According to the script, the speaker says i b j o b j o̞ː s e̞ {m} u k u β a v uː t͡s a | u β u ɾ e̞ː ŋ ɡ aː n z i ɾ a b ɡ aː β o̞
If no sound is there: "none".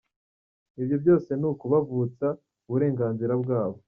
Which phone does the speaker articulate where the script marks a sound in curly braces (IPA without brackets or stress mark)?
n